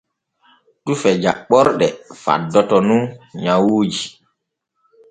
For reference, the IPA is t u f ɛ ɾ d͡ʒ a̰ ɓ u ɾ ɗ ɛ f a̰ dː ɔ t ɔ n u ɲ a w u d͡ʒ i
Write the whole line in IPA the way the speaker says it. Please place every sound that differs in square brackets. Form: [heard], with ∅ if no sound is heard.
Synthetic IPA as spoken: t u f ɛ [∅] d͡ʒ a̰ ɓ [ɔ] ɾ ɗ ɛ f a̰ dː ɔ t ɔ n u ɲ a w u d͡ʒ i